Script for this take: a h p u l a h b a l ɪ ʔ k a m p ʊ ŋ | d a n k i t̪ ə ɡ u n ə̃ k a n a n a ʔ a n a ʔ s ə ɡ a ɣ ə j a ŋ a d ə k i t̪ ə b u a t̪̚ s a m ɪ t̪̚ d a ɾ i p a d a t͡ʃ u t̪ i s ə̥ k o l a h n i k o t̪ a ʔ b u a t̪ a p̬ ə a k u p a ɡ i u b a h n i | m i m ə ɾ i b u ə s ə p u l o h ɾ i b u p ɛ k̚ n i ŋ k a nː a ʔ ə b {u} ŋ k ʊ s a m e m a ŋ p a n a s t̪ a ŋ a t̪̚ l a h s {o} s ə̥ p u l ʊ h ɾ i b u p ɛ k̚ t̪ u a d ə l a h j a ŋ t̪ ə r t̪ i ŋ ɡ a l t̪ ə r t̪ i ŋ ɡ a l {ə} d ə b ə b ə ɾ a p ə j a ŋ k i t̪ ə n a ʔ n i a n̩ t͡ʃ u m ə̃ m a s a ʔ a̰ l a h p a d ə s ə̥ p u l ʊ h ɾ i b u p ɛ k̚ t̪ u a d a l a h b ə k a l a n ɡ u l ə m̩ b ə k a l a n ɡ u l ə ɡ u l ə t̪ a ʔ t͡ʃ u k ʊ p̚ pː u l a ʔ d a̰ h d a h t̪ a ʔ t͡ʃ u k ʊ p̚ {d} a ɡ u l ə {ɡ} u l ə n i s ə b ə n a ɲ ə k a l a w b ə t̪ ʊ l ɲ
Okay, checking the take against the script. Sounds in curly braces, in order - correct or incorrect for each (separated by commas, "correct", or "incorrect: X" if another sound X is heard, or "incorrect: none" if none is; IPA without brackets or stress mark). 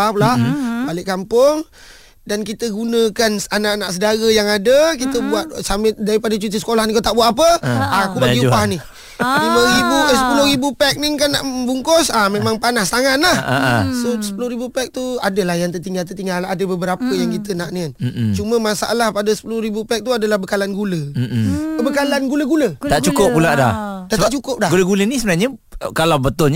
correct, correct, incorrect: a, correct, correct